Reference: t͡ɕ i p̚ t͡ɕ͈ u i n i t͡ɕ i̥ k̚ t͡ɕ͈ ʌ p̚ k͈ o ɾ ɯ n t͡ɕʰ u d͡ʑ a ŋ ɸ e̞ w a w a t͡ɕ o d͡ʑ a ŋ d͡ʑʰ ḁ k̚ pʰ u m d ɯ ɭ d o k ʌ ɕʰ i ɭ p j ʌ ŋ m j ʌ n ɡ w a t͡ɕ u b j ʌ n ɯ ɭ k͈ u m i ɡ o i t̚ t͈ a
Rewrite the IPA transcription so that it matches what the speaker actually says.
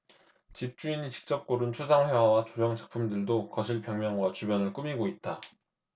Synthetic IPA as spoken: t͡ɕ i p̚ t͡ɕ͈ u i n i t͡ɕ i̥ k̚ t͡ɕ͈ ʌ p̚ k͈ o ɾ ɯ n t͡ɕʰ u d͡ʑ a ŋ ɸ e̞ w a w a t͡ɕ o d͡ʑ ʌ ŋ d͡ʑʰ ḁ k̚ pʰ u m d ɯ ɭ d o k ʌ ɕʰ i ɭ p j ʌ ŋ m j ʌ ŋ ɡ w a t͡ɕ u b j ʌ n ɯ ɭ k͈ u m i ɡ o i t̚ t͈ a